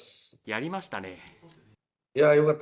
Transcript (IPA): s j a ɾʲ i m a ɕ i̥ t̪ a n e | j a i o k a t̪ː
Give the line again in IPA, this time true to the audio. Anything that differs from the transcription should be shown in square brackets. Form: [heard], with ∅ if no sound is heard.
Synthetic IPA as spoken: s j a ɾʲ i m a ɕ i̥ t̪ a n e | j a [j] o k a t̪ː